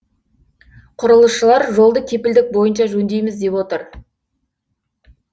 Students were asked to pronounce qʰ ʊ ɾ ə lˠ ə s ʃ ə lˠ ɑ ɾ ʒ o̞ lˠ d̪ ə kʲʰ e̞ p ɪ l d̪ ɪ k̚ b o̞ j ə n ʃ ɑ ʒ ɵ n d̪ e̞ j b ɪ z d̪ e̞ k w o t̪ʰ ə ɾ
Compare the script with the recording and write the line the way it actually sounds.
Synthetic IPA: qʰ ʊ ɾ ə lˠ ə s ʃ ə lˠ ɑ ɾ ʒ o̞ lˠ d̪ ə kʲʰ e̞ p ɪ l d̪ ɪ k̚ b o̞ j ə n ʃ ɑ ʒ ɵ n d̪ e̞ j m ɪ z d̪ e̞ p w o t̪ ə ɾ